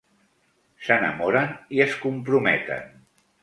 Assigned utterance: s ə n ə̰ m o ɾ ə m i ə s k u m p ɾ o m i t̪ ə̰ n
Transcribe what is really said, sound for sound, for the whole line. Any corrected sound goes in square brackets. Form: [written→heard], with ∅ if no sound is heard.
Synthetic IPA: s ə n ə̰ m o ɾ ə [m→n] i ə s k u m p ɾ [o→u] m [i→ɛ] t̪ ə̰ n